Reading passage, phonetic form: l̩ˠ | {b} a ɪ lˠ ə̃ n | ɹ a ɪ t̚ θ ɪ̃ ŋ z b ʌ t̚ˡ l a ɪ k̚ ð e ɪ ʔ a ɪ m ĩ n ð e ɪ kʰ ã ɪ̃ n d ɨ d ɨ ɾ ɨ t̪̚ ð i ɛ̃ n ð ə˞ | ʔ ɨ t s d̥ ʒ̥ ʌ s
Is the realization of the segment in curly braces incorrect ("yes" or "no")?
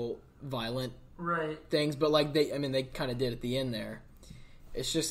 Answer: yes